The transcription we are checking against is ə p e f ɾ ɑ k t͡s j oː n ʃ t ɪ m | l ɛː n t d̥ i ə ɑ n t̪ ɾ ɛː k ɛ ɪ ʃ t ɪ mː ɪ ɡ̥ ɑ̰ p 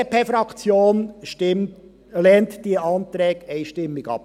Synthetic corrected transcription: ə p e f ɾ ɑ k t͡s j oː n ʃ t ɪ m | l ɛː n t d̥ i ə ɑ n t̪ ɾ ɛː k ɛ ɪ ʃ t ɪ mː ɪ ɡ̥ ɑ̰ p

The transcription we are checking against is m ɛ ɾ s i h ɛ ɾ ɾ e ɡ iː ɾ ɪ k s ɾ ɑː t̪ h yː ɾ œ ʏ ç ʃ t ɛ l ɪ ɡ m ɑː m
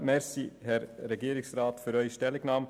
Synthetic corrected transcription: m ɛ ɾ s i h ɛ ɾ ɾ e ɡ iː ɾ ɪ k s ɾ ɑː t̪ f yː ɾ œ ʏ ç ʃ t ɛ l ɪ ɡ n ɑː m

